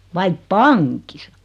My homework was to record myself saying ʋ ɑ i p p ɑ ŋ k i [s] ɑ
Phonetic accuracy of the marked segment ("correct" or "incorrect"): correct